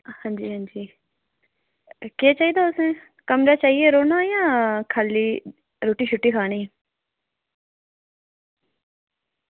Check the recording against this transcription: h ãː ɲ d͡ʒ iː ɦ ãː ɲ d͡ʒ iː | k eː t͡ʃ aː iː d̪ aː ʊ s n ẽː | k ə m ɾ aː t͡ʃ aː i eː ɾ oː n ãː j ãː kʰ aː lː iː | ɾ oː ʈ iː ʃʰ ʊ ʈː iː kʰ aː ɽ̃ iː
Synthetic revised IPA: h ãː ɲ d͡ʒ iː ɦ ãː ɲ d͡ʒ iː | k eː t͡ʃ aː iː d̪ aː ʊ s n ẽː | k ə m ɾ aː t͡ʃ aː i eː ɾ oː n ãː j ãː kʰ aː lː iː | ɾ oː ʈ iː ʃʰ ʊ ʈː iː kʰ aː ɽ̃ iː